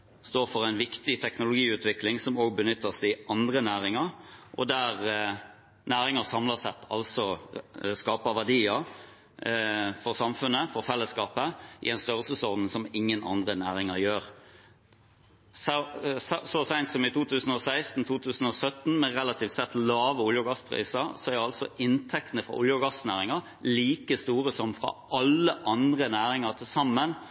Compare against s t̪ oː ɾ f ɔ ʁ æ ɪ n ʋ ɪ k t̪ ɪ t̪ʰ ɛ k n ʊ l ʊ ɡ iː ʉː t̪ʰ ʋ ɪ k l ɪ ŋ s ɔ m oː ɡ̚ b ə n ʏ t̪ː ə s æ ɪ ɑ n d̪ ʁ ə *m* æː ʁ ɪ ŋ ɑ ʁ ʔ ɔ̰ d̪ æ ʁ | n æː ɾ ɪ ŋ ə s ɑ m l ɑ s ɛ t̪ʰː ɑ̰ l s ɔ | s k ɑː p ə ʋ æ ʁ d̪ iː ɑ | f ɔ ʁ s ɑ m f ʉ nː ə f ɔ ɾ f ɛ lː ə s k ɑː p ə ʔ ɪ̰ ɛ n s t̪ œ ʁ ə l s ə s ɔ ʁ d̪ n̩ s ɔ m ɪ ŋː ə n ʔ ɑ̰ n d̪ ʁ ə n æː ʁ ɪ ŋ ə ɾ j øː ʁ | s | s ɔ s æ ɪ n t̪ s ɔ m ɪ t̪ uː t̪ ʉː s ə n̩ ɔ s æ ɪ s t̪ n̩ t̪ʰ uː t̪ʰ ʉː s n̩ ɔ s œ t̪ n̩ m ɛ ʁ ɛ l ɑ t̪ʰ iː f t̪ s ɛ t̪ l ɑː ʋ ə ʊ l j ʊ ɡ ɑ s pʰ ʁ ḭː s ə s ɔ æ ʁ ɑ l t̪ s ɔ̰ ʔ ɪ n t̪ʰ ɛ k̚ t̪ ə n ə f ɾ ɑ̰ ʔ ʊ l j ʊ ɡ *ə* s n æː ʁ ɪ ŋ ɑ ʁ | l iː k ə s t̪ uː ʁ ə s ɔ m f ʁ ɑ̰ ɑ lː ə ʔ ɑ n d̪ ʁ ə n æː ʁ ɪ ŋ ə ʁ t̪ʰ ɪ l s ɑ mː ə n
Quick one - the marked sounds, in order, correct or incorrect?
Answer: incorrect, incorrect

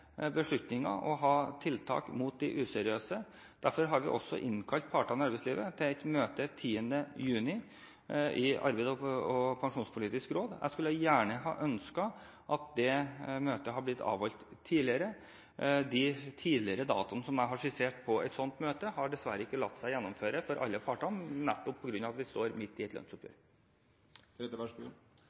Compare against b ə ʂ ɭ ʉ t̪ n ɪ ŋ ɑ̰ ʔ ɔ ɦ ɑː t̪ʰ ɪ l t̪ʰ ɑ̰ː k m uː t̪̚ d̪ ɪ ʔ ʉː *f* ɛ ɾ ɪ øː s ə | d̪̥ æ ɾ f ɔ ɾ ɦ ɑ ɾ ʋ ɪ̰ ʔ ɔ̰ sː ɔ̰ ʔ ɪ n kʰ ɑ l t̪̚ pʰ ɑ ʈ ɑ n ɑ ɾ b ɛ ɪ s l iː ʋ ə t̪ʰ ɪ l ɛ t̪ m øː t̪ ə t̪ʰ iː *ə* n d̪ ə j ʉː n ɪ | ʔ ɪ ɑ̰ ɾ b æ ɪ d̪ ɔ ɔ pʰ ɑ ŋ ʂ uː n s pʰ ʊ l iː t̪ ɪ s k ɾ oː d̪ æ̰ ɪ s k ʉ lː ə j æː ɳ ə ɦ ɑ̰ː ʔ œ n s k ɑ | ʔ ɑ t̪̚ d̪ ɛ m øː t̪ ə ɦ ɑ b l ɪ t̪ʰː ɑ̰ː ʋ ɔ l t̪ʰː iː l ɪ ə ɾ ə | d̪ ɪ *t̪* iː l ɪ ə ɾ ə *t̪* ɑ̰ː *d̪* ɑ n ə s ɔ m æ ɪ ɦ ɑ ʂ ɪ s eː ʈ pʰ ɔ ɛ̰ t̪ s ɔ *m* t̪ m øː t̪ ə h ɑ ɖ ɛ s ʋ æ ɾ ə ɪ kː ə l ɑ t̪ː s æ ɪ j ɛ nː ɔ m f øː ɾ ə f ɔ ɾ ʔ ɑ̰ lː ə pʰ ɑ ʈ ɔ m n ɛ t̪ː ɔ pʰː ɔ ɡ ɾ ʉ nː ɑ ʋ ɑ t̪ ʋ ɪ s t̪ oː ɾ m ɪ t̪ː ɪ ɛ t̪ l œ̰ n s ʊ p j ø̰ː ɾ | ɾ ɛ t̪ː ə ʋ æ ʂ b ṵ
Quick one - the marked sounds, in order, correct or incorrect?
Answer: incorrect, correct, incorrect, incorrect, incorrect, incorrect

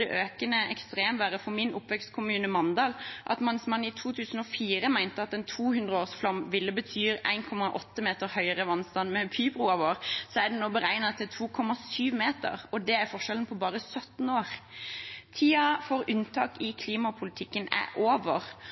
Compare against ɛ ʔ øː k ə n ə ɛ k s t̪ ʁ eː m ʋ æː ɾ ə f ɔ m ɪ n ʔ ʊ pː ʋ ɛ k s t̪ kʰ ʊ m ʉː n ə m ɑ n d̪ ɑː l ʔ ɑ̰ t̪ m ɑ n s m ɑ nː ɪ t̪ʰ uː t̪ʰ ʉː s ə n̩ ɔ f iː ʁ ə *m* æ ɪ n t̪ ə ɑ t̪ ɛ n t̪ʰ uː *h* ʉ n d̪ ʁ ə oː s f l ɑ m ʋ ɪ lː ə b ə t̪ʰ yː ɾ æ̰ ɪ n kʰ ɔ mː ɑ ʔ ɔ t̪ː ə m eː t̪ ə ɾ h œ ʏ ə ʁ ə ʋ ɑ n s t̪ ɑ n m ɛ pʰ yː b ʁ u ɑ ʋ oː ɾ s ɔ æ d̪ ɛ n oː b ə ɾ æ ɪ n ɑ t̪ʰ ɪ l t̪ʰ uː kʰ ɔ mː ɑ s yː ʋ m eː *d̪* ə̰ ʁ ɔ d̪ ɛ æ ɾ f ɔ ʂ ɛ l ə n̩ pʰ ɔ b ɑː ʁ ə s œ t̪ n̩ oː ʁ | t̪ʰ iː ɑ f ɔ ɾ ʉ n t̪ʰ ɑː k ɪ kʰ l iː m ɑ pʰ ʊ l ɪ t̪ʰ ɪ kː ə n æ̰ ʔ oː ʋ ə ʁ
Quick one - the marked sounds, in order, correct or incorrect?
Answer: correct, correct, incorrect

